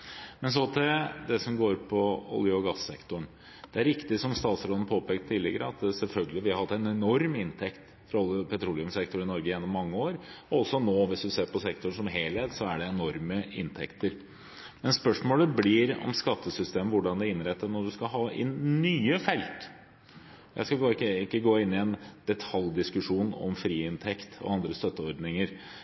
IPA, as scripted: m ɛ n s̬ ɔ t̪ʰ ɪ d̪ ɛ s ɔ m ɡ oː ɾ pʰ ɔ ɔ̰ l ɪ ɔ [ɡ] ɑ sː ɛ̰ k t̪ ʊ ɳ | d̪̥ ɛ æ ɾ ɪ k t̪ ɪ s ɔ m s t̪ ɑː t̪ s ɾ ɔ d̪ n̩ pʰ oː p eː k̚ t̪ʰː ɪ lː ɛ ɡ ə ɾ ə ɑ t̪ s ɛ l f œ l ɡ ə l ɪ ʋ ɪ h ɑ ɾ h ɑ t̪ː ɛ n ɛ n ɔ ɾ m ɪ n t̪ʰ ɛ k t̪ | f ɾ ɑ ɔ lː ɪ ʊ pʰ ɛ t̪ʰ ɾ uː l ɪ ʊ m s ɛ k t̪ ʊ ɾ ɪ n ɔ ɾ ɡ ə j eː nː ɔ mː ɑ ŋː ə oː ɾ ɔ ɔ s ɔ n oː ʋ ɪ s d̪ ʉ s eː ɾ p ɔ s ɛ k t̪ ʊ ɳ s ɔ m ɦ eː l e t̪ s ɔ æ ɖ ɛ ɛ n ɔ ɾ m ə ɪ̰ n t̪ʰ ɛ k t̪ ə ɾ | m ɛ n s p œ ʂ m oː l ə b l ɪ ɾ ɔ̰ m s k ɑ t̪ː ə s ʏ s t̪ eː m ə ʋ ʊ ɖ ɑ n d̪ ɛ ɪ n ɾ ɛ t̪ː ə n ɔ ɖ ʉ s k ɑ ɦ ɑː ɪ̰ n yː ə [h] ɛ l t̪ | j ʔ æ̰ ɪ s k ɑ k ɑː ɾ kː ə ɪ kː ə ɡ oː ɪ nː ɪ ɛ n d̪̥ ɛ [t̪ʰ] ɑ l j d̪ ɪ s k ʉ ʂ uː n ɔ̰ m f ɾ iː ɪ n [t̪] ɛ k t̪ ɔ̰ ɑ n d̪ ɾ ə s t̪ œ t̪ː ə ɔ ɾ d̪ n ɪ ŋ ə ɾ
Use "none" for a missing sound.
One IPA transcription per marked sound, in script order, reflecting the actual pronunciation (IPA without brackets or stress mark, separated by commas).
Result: ɡ, f, t̪ʰ, t̪ʰ